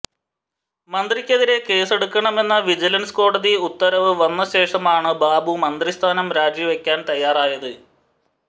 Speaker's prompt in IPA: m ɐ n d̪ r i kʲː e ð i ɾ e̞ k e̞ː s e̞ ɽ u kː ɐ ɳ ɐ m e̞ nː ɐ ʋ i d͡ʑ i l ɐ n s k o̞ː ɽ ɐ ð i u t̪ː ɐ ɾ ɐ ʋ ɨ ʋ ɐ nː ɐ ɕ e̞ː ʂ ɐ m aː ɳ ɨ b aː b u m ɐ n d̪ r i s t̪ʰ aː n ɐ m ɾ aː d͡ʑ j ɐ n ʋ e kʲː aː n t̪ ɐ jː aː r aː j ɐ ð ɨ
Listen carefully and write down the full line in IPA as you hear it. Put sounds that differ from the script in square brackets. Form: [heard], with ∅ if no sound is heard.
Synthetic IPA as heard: m ɐ n d̪ r i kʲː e ð i ɾ e̞ k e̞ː s e̞ ɽ u kː ɐ ɳ ɐ m e̞ nː ɐ ʋ i d͡ʑ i l ɐ n s k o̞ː ɽ ɐ ð i u t̪ː ɐ ɾ ɐ ʋ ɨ ʋ ɐ nː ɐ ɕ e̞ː ʂ ɐ m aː ɳ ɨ b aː b u m ɐ n d̪ r i s t̪ʰ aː n ɐ m ɾ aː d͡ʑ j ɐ [∅] ʋ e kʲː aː n t̪ ɐ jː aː r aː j ɐ ð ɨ